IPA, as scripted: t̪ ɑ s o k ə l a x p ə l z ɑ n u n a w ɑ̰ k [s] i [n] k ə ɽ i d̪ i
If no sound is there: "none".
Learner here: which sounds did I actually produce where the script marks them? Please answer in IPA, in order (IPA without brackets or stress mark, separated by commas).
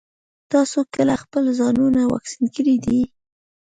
s, n